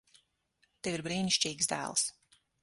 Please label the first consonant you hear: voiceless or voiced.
voiceless